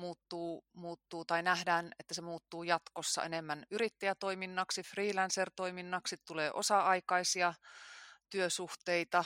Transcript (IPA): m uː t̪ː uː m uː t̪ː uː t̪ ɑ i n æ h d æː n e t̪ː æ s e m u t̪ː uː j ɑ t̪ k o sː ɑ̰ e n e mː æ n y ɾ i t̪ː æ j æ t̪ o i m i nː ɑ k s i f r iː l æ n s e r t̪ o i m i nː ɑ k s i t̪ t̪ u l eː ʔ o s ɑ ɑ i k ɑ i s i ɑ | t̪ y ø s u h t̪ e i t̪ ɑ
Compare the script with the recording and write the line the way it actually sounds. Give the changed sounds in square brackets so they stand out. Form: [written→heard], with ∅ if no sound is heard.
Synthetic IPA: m uː t̪ː uː m uː t̪ː uː t̪ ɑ i n æ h d æː n e t̪ː æ s e m [u→uː] t̪ː uː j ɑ t̪ k o sː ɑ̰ e n e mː æ n y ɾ i t̪ː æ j æ t̪ o i m i nː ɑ k s i f r iː l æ n s e r t̪ o i m i nː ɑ k s i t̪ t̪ u l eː ʔ o s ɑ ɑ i k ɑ i s i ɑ | t̪ y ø s u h t̪ e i t̪ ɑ